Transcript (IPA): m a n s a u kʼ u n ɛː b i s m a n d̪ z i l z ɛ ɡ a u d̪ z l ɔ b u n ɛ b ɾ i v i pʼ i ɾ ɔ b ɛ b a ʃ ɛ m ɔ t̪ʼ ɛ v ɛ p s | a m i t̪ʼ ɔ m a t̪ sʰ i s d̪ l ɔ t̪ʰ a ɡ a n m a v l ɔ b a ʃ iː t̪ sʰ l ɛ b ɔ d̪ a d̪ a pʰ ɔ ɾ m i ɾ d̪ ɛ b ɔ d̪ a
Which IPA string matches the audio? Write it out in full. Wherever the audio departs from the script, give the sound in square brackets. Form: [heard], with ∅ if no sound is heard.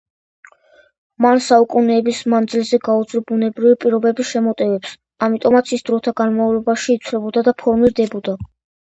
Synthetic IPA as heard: m a n s a u kʼ u n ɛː b i s m a n d̪ z i l z ɛ ɡ a u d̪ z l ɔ b u n ɛ b ɾ i v i pʼ i ɾ ɔ b ɛ b [i] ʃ ɛ m ɔ t̪ʼ ɛ v ɛ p s | a m i t̪ʼ ɔ m a t̪ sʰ i s d̪ [ɾ] ɔ t̪ʰ a ɡ a n m a v l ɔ b a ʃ iː t̪ sʰ l ɛ b ɔ d̪ a d̪ a pʰ ɔ ɾ m i ɾ d̪ ɛ b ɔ d̪ a